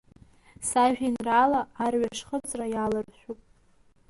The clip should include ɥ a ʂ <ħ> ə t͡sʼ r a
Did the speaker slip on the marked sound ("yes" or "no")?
yes